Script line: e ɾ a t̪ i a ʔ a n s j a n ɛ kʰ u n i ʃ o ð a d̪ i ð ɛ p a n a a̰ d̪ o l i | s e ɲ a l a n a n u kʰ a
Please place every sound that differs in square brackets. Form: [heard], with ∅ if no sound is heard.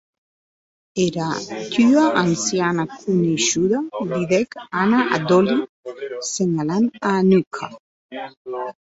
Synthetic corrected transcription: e ɾ a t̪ [y] a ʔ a n s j a n [a] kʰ u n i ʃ [u] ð a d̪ i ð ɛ [k] a n a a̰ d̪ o l i | s e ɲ a l a n a n u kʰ a